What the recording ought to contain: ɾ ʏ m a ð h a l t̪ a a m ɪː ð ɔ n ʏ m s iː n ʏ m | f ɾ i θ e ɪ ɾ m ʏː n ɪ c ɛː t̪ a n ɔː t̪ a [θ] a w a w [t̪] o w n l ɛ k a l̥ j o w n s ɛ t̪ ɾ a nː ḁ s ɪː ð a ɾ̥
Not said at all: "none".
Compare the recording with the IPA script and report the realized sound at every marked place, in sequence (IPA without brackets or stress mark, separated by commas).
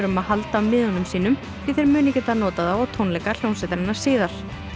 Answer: ð, t̪ʰ